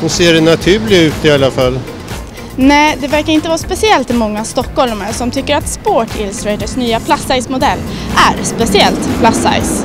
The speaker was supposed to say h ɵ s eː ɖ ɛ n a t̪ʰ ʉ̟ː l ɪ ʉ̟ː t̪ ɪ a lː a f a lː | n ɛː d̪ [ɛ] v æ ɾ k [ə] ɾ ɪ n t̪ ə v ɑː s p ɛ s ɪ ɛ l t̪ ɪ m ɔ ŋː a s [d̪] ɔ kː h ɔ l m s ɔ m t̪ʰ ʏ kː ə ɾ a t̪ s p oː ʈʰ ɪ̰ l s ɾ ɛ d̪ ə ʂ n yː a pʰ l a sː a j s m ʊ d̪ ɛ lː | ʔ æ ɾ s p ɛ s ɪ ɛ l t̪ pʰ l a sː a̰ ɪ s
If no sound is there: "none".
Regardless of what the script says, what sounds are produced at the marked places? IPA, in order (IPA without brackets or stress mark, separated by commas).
ɛ, a, t̪